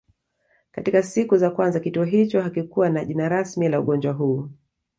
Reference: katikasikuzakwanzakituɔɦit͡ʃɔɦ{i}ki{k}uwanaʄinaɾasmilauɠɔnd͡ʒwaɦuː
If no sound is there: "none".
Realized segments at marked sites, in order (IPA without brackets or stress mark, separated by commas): a, k